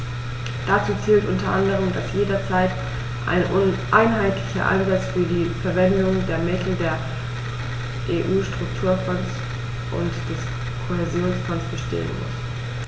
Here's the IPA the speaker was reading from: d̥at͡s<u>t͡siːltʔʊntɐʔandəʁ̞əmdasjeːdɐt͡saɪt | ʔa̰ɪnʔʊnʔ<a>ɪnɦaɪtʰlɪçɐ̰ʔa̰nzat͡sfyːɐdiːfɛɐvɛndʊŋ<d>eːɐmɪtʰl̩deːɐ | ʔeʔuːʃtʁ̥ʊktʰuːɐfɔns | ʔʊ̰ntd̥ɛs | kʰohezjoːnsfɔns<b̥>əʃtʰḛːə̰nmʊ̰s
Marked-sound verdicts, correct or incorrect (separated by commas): incorrect, correct, correct, correct